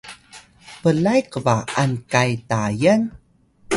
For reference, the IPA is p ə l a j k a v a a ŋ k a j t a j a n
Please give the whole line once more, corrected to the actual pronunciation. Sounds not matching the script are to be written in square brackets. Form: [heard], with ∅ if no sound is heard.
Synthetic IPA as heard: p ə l a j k [ə] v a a [n] k a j t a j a n